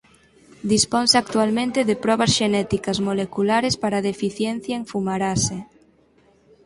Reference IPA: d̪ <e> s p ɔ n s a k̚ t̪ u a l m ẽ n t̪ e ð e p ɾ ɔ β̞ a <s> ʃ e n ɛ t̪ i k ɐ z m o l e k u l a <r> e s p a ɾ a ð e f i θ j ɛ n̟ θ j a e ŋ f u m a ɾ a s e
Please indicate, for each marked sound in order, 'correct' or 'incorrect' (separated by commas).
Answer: incorrect, correct, incorrect